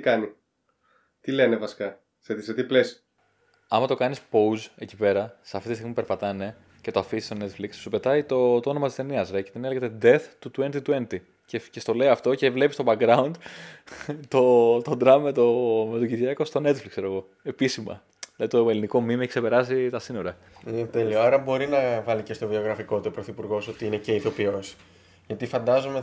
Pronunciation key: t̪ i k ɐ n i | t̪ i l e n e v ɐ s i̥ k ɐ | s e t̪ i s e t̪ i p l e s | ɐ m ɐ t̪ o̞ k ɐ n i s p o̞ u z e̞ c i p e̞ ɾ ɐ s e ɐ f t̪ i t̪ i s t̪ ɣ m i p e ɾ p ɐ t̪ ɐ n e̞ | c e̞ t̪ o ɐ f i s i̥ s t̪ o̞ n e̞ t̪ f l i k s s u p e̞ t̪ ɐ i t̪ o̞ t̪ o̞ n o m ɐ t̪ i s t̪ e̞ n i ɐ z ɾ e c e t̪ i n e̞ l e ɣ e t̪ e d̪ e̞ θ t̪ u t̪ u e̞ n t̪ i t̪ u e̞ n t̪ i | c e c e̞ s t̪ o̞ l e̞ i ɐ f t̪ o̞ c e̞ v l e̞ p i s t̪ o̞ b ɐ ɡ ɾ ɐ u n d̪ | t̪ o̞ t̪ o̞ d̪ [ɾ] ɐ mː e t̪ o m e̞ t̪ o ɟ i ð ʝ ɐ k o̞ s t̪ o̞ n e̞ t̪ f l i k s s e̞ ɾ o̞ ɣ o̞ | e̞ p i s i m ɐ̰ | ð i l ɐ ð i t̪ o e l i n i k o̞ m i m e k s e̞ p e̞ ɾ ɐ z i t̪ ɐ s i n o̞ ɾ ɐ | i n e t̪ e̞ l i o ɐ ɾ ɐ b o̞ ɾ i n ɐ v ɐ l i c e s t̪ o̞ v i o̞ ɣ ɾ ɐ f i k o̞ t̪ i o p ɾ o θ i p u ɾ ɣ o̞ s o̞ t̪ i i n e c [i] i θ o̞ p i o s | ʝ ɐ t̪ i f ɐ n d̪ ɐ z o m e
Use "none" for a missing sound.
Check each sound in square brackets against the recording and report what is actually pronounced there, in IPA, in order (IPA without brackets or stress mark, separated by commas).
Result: ɾ, e